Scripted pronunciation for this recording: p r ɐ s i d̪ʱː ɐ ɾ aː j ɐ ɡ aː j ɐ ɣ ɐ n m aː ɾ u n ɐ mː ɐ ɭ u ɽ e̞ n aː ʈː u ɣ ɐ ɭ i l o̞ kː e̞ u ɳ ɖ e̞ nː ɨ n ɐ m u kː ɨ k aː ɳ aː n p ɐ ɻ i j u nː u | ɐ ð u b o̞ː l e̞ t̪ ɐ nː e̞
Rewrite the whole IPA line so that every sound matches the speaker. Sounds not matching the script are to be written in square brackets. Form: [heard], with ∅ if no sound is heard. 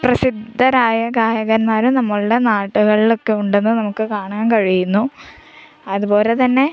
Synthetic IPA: p r ɐ s i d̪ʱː ɐ ɾ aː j ɐ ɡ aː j ɐ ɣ ɐ n m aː ɾ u n ɐ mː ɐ ɭ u ɽ e̞ n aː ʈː u ɣ ɐ ɭ i l o̞ kː e̞ u ɳ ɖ e̞ nː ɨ n ɐ m u kː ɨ k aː ɳ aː n [k] ɐ ɻ i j u nː u | ɐ ð u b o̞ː l e̞ t̪ ɐ nː e̞